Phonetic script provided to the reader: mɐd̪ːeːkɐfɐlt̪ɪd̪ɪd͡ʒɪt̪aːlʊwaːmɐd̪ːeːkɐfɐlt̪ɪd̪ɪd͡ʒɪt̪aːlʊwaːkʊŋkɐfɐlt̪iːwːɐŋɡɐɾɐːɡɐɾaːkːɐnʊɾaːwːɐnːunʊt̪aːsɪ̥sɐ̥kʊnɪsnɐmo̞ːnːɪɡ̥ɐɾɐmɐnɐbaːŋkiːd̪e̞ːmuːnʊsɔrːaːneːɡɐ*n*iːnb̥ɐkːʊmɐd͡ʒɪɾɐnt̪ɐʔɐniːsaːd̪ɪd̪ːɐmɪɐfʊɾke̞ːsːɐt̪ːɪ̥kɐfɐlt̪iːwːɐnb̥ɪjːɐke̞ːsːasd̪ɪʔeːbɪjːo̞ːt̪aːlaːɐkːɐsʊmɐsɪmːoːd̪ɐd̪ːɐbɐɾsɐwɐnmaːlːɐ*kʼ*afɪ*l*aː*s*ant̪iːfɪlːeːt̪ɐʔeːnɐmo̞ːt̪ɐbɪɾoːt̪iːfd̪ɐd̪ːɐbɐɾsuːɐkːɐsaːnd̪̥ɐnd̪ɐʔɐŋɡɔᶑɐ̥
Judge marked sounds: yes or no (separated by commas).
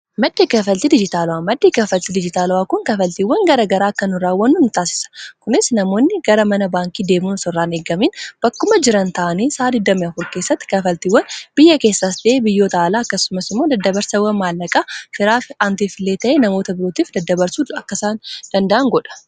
no, yes, no, no